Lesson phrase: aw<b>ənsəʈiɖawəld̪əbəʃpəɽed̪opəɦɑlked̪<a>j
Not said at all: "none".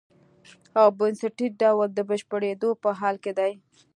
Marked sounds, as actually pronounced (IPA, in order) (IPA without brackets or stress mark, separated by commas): b, a